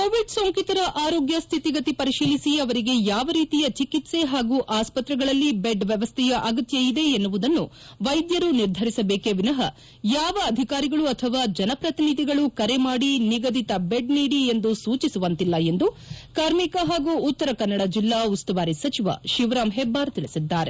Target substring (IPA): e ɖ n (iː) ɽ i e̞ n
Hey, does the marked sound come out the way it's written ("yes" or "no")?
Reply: yes